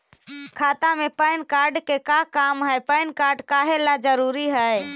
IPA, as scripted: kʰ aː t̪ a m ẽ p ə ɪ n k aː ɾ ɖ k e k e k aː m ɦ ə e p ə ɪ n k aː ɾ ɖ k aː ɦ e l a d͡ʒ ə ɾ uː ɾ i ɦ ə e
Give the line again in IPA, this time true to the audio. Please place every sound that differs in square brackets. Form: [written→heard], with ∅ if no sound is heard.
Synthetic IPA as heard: kʰ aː t̪ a m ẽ p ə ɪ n k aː ɾ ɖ k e k [e→a] k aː m ɦ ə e p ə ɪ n k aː ɾ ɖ k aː ɦ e l a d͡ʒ ə ɾ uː ɾ i ɦ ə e